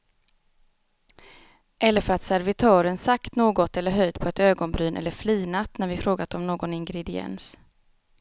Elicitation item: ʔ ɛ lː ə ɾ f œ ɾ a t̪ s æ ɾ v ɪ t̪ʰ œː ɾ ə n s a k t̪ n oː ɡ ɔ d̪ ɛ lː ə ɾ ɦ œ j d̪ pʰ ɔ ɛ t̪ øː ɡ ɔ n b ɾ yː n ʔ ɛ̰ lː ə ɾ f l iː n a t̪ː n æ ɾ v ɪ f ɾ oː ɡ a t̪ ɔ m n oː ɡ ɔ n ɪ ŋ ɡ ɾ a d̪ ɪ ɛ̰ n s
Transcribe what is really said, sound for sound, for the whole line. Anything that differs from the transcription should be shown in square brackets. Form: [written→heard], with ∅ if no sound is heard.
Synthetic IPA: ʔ ɛ lː ə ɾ f œ ɾ a t̪ s æ ɾ v ɪ t̪ʰ œː ɾ ə n s a k t̪ n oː ɡ ɔ [d̪→t̪] ɛ lː ə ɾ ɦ œ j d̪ pʰ ɔ ɛ t̪ øː ɡ ɔ n b ɾ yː n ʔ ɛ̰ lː ə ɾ f l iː n a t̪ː n æ ɾ v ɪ f ɾ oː ɡ a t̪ ɔ m n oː ɡ ɔ n ɪ ŋ ɡ ɾ [a→ɛ] d̪ ɪ ɛ̰ n s